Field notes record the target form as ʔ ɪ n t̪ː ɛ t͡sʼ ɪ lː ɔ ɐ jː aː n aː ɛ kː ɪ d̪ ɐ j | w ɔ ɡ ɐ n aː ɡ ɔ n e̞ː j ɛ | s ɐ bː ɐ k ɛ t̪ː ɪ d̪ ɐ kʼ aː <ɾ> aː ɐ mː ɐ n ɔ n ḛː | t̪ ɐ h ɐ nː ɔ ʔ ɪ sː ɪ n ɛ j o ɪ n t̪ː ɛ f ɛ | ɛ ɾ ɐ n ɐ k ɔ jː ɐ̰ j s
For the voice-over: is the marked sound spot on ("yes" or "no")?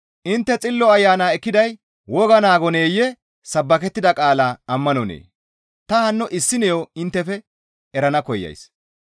no